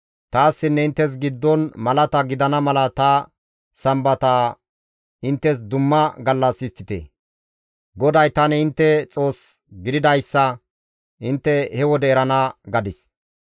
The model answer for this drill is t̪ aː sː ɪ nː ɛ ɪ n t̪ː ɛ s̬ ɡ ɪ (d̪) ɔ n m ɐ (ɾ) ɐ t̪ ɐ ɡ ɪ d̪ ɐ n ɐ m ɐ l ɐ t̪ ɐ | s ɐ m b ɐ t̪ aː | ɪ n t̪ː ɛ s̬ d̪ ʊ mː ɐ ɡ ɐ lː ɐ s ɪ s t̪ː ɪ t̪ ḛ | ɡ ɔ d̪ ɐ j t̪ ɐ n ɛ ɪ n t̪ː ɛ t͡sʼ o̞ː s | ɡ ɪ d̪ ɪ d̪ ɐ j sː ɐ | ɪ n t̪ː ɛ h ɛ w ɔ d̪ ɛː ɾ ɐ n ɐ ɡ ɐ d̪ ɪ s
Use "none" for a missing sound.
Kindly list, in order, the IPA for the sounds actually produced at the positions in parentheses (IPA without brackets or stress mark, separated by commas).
d̪ː, l